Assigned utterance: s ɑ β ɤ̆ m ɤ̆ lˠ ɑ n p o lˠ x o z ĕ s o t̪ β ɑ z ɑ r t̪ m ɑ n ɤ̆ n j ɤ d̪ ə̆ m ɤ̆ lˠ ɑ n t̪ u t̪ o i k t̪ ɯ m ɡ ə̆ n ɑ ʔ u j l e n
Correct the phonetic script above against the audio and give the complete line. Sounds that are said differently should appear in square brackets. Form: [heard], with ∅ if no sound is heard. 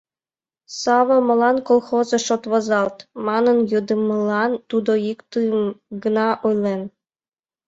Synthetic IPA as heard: s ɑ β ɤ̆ m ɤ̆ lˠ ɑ n [k] o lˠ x o z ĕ [ʃ] o t̪ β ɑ z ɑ [l] t̪ m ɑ n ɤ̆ n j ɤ d̪ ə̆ m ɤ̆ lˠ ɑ n t̪ u [d̪] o i k t̪ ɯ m ɡ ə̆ n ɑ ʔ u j l e n

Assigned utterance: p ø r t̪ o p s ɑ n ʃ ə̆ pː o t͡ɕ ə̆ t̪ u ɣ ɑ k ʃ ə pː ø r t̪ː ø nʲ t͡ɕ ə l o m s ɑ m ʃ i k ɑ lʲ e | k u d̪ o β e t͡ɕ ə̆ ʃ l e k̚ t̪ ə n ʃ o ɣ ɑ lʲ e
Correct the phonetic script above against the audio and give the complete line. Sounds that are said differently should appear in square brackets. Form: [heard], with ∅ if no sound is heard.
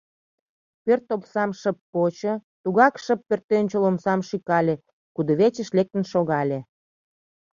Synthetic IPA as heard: p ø r t̪ o p s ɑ [m] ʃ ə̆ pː o t͡ɕ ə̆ t̪ u ɣ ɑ k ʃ ə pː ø r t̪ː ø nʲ t͡ɕ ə l o m s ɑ m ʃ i k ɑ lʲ e | k u d̪ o β e t͡ɕ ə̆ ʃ l e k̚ t̪ ə n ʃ o ɣ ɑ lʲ e

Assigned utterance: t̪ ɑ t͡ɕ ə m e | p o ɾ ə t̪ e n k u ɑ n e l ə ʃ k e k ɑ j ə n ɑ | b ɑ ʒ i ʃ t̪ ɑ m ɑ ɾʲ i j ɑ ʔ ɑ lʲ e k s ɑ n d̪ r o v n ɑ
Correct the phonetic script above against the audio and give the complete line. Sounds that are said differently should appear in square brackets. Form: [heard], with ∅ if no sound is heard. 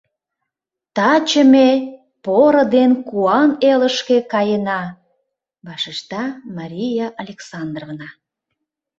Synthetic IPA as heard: t̪ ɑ t͡ɕ ə m e | p o ɾ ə [d̪] e n k u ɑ n e l ə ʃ k e k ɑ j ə n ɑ | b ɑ [ʃ] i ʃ t̪ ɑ m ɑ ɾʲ i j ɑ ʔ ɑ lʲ e k s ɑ n d̪ r o v n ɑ

